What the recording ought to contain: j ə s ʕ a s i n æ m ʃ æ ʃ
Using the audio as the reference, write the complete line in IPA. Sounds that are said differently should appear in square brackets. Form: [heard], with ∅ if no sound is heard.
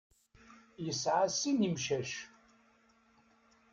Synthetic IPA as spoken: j ə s ʕ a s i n [i] m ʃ æ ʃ